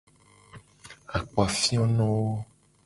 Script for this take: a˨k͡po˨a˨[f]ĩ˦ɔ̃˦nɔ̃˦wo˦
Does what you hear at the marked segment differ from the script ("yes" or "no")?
no